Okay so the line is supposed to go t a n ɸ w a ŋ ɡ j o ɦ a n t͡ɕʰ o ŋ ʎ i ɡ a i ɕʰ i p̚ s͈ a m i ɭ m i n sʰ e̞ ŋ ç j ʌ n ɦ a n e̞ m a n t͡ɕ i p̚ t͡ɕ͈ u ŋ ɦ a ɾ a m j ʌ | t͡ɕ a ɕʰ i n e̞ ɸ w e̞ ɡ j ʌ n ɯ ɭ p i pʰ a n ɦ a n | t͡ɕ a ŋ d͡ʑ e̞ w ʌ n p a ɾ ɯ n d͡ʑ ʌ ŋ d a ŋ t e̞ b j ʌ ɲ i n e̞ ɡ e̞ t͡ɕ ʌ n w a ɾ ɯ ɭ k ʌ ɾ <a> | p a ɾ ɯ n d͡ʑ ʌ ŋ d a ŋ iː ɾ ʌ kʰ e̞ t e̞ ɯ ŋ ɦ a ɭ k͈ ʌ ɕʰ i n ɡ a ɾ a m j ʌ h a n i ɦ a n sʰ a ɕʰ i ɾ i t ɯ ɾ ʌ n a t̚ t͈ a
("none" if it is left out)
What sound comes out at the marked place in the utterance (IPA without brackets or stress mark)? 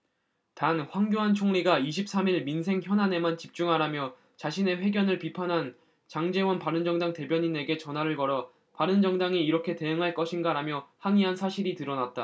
ʌ